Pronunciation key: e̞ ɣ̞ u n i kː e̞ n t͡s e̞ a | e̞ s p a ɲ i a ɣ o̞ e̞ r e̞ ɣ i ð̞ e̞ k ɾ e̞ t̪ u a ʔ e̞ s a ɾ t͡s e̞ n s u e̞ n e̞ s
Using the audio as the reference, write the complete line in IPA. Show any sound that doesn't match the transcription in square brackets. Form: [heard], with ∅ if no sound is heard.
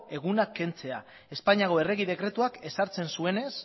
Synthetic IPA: e̞ ɣ̞ u n [a] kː e̞ n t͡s e̞ a | e̞ s p a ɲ i a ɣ o̞ e̞ r e̞ ɣ i ð̞ e̞ k ɾ e̞ t̪ u a [k] e̞ s a ɾ t͡s e̞ n s u e̞ n e̞ s